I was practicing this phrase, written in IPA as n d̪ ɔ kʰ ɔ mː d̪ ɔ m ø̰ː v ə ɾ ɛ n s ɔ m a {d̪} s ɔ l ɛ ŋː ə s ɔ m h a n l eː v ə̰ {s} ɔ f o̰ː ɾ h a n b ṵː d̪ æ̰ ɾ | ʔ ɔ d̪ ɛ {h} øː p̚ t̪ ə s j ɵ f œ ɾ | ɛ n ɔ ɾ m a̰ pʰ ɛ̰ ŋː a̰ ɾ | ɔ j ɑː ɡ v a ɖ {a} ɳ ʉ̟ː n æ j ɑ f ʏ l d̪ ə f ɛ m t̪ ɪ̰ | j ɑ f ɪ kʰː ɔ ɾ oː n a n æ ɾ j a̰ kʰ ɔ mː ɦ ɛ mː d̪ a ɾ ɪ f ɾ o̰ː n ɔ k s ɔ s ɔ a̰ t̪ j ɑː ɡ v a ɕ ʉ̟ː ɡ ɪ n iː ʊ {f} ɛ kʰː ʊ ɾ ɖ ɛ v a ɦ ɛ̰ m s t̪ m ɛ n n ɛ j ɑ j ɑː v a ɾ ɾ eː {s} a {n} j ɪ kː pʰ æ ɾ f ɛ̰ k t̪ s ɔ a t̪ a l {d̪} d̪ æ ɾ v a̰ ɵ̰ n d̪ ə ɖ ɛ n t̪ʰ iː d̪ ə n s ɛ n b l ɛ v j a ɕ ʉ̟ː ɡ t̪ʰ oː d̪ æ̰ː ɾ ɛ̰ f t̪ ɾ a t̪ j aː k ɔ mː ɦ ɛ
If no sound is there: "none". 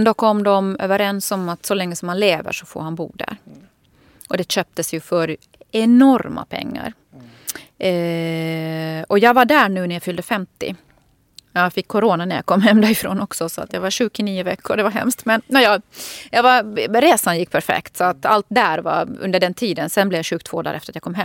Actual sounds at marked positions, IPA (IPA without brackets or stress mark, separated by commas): t̪, ʂ, ɕ, æ, v, s, n, t̪